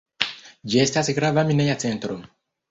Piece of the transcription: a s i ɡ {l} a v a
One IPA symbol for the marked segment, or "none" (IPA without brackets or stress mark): ɾ